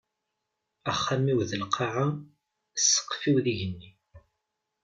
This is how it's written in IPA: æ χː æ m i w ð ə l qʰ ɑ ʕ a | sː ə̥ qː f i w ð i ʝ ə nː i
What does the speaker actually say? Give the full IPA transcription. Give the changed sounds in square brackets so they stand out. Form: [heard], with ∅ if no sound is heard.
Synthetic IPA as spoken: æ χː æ m i w ð ə l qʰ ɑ ʕ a | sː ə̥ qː f i w ð i ʝ ə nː i